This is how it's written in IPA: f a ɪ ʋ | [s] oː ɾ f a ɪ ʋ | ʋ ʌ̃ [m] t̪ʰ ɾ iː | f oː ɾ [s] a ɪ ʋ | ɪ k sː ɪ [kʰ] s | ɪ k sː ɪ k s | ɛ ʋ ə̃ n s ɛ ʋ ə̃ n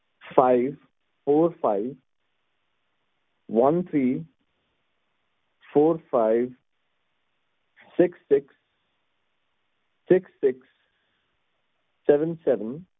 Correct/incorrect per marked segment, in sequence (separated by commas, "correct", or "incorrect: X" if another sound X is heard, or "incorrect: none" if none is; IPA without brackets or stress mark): incorrect: f, incorrect: n, incorrect: f, incorrect: k